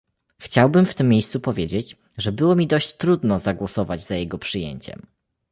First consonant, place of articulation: velar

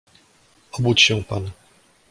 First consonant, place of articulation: labial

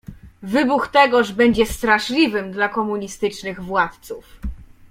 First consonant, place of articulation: labial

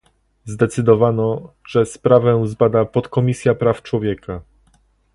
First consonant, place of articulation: alveolar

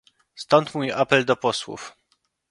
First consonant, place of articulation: alveolar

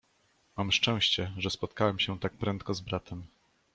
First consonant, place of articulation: labial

